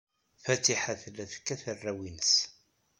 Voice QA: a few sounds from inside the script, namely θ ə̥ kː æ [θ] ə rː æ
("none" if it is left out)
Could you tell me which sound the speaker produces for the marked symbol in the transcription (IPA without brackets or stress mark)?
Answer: θ